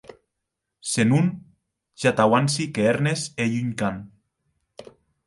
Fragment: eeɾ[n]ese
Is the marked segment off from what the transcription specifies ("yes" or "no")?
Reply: no